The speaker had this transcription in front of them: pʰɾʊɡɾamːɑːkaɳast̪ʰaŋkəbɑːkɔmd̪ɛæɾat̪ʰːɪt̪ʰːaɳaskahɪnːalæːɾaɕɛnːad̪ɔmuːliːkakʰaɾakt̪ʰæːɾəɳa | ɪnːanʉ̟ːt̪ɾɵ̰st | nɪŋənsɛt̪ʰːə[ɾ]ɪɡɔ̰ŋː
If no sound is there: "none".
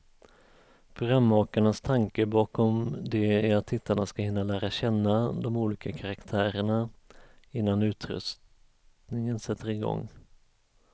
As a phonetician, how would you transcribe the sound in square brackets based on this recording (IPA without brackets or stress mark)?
ɾ